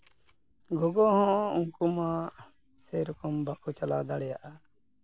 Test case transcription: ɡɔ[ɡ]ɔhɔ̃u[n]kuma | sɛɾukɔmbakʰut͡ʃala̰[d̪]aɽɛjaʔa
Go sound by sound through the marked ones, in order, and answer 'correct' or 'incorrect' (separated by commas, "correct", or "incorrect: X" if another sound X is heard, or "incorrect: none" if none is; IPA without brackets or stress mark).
correct, incorrect: ŋ, correct